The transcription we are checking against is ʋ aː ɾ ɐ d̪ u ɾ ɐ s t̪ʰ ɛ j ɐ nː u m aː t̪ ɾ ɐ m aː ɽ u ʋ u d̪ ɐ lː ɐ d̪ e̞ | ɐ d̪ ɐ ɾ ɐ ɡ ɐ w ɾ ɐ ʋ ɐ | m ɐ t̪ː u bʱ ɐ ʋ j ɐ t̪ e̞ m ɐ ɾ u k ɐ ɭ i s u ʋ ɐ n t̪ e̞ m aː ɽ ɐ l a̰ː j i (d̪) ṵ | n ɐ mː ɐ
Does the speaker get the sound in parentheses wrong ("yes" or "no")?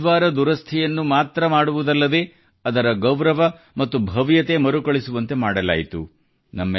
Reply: yes